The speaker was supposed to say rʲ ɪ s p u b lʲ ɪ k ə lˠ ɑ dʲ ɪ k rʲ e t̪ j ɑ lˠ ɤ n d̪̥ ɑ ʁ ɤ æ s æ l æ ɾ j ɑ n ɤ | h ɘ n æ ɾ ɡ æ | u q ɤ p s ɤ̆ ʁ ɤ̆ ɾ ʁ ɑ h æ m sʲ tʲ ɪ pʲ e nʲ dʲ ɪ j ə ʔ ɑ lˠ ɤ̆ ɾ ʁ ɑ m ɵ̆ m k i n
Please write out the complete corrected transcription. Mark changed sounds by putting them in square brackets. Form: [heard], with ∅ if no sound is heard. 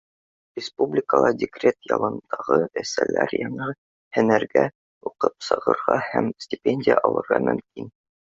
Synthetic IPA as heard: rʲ ɪ s p u b lʲ ɪ k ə lˠ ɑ dʲ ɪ k rʲ e t̪ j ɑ lˠ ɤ n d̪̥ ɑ ʁ ɤ æ s æ l æ ɾ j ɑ [ɴ] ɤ | h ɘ n æ ɾ ɡ æ | u q ɤ p s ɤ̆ ʁ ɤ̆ ɾ ʁ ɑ h æ m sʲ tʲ ɪ pʲ e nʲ dʲ ɪ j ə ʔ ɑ lˠ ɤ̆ ɾ ʁ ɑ m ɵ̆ m k i n